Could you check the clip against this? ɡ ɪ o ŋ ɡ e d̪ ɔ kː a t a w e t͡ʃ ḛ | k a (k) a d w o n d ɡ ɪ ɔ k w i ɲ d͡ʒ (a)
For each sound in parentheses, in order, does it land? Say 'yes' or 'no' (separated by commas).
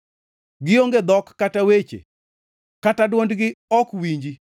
no, no